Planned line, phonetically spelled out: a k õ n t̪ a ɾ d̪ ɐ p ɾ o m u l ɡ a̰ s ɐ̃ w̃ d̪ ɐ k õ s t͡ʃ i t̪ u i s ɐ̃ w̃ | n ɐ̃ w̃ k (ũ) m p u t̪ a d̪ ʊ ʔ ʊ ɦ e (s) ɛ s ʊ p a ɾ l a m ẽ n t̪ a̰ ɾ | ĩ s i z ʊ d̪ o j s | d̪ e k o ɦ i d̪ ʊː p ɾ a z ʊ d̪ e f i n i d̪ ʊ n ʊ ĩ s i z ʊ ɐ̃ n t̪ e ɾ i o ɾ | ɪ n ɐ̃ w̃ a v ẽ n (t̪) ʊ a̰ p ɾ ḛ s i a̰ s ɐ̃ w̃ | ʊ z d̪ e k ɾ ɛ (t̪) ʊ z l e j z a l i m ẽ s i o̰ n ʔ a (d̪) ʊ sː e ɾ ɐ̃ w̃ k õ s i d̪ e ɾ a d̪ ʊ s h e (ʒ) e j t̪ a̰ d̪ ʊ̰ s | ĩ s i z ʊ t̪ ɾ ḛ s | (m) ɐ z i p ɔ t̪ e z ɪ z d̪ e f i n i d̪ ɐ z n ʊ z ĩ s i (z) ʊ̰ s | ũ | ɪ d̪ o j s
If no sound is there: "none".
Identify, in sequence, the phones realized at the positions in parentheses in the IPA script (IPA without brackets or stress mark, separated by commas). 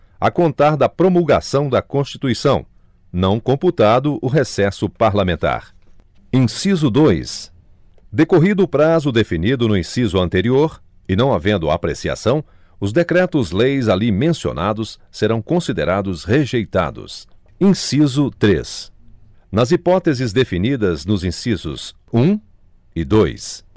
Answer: õ, s, d̪, t̪, d̪, ʒ, n, z